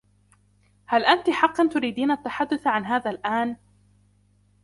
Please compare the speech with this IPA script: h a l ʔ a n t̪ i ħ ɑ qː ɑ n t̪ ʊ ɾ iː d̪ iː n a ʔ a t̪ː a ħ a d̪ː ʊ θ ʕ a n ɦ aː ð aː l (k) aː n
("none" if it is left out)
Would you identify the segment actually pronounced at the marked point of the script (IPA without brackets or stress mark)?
ʔ